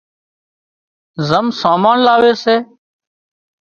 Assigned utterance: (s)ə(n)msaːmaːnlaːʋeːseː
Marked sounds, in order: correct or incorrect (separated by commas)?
incorrect, incorrect